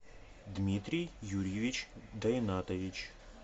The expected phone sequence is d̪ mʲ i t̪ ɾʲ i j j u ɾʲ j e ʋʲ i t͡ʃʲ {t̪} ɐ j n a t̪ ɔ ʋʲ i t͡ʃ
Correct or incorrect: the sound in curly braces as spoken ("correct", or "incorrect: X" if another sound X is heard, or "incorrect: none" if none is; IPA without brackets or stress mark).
incorrect: d̪